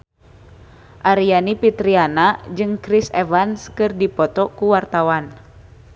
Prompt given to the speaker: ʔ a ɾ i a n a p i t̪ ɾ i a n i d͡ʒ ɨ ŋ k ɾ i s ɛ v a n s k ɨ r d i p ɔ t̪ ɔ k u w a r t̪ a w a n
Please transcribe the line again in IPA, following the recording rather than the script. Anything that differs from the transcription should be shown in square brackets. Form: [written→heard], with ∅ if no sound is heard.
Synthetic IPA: ʔ a ɾ i a n [a→i] p i t̪ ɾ i a n [i→a] d͡ʒ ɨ ŋ k ɾ i s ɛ v a n s k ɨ r d i p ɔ t̪ ɔ k u w a r t̪ a w a n

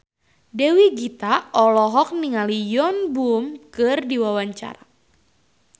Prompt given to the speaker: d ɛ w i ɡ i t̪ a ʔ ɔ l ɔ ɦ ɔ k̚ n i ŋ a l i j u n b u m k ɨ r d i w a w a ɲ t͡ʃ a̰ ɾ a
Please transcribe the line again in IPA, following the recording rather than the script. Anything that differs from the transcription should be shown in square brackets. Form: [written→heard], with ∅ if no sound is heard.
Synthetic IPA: d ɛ w i ɡ i t̪ a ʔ ɔ l ɔ ɦ ɔ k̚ n i ŋ a l i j [u→ɔ] n b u m k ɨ r d i w a w a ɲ t͡ʃ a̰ ɾ a

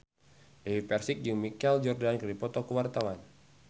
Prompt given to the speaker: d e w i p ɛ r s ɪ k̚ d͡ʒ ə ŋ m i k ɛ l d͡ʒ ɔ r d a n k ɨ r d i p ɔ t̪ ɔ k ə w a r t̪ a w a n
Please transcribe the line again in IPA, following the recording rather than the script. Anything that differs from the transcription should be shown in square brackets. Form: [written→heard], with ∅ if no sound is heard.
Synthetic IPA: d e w i p ɛ r s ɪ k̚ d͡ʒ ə ŋ m i k ɛ l d͡ʒ ɔ r d a n k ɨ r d i p ɔ t̪ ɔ k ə w a r t̪ a w a n

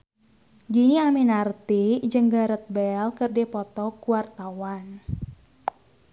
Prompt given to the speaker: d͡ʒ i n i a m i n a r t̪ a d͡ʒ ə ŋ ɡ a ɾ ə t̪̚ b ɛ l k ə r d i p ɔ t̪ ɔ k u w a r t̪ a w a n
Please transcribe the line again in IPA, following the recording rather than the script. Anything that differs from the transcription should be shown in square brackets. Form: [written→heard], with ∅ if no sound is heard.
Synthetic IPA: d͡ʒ i n i a m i n a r t̪ [a→i] d͡ʒ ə ŋ ɡ a ɾ ə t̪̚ b ɛ l k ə r d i p ɔ t̪ ɔ k u w a r t̪ a w a n

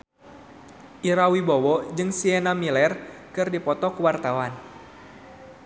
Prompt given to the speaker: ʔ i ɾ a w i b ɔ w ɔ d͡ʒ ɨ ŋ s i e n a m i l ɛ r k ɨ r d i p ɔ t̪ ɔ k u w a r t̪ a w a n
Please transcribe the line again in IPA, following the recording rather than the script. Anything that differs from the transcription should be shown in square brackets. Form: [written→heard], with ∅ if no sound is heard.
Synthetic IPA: ʔ i ɾ a w i b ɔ w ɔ d͡ʒ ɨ ŋ s i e n a m i l ɛ r k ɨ r d i p ɔ t̪ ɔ k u w a r t̪ a w a n

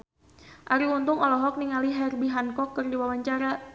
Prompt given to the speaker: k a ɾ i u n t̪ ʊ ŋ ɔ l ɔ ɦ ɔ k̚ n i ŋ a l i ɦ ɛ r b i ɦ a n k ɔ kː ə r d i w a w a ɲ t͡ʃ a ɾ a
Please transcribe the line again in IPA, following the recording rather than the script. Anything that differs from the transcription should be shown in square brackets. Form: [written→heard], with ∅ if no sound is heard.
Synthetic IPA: [k→ʔ] a ɾ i u n t̪ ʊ ŋ ɔ l ɔ ɦ ɔ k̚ n i ŋ a l i ɦ ɛ r b i ɦ a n k ɔ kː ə r d i w a w a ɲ t͡ʃ a ɾ a

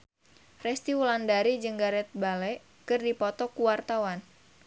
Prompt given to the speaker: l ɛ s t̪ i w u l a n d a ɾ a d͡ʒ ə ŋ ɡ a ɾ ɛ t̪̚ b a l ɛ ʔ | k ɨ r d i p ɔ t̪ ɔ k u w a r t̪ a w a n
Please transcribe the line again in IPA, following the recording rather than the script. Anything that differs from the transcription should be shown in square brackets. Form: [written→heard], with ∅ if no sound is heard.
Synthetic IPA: [l→r] ɛ s t̪ i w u l a n d a ɾ [a→i] d͡ʒ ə ŋ ɡ a ɾ ɛ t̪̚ b a l ɛ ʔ | k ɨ r d i p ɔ t̪ ɔ k u w a r t̪ a w a n

